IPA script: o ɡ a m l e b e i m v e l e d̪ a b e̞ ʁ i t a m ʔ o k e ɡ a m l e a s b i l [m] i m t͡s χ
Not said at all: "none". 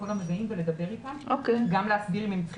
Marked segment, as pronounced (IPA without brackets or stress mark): m